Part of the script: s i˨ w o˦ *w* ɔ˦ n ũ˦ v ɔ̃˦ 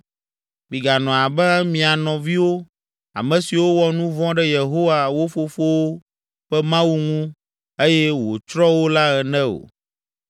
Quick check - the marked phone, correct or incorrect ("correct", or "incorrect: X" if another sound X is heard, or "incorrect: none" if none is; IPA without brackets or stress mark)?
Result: correct